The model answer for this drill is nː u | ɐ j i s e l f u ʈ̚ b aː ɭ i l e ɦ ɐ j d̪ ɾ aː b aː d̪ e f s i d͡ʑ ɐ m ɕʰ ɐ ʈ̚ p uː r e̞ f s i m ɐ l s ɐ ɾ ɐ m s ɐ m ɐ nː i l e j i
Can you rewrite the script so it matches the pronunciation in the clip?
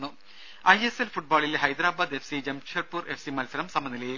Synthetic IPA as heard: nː u | ɐ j e s e l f u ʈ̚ b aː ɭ i l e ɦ ɐ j d̪ ɾ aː b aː d̪ e f s i d͡ʑ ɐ m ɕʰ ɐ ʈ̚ p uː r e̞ f s i m ɐ l s ɐ ɾ ɐ m s ɐ m ɐ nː i l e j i